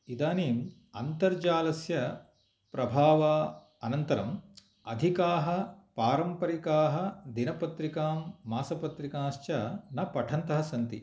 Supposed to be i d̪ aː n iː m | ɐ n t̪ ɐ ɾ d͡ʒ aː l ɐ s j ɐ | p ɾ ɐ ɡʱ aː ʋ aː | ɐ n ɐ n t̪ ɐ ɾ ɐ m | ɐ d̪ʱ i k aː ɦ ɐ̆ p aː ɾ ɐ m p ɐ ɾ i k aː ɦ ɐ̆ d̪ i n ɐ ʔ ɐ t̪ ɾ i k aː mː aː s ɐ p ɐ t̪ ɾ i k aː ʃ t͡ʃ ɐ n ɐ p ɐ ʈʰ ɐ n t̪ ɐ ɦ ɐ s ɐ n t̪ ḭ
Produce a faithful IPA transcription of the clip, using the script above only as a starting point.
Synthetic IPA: i d̪ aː n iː m | ɐ n t̪ ɐ ɾ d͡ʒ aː l ɐ s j ɐ | p ɾ ɐ bʱ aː ʋ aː | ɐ n ɐ n t̪ ɐ ɾ ɐ m | ɐ d̪ʱ i k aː ɦ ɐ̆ p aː ɾ ɐ m p ɐ ɾ i k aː ɦ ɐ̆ d̪ i n ɐ p ɐ t̪ ɾ i k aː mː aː s ɐ p ɐ t̪ ɾ i k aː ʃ t͡ʃ ɐ n ɐ p ɐ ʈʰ ɐ n t̪ ɐ ɦ ɐ s ɐ n t̪ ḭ